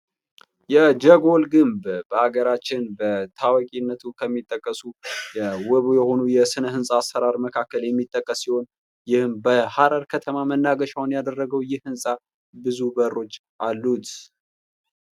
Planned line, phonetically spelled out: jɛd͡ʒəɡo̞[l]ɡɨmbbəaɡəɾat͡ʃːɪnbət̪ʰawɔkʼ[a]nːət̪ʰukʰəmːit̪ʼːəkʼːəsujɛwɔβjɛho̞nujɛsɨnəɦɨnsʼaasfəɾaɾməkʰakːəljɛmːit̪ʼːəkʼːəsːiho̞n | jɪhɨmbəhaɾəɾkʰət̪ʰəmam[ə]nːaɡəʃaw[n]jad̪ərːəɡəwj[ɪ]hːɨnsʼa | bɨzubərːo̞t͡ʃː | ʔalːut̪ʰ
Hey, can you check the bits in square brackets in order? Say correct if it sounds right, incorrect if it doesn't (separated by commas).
correct, incorrect, correct, correct, correct